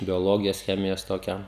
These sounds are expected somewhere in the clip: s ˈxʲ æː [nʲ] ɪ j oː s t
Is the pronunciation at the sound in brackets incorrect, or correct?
incorrect